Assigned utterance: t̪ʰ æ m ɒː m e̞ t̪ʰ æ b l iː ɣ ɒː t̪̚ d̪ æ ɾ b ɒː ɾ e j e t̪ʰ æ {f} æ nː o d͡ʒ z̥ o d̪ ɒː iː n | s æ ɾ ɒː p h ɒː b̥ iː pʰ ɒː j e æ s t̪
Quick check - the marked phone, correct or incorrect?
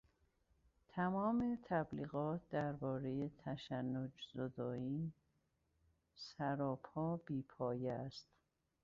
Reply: incorrect